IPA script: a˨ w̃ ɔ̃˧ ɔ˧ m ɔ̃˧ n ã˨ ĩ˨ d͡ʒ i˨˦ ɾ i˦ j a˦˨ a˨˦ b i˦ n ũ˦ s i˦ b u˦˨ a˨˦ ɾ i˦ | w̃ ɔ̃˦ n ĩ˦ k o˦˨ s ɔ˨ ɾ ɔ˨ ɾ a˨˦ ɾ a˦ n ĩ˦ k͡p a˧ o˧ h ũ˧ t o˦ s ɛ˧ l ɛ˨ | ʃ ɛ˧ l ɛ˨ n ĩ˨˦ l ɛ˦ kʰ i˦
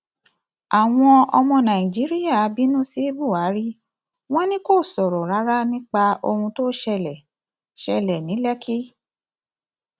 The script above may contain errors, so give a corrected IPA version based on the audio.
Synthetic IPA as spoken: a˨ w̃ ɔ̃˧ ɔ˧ m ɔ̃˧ n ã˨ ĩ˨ d͡ʒ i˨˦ ɾ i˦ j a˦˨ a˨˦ b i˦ n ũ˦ s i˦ b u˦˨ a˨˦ ɾ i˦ | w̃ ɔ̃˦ n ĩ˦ k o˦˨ s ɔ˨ ɾ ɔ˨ ɾ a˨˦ ɾ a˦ n ĩ˦ k͡p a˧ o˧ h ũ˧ t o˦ ʃ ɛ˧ l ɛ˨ | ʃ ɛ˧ l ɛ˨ n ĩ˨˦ l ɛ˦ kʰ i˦